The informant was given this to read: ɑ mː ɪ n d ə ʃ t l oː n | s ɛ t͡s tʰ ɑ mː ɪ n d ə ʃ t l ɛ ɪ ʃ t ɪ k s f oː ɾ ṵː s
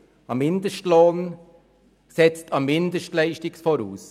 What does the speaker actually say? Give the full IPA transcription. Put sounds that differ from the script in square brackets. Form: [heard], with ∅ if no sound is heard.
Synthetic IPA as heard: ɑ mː ɪ n d ə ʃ t l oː n | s ɛ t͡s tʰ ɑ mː ɪ n d ə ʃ t l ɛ ɪ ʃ t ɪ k s f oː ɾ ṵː s